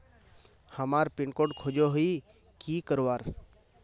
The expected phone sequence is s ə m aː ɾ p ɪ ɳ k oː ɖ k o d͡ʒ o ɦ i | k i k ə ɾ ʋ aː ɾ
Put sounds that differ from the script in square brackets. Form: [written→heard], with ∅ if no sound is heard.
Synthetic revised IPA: [s→h] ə m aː ɾ p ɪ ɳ k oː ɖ [k→kʰ] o d͡ʒ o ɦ i | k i k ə ɾ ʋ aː ɾ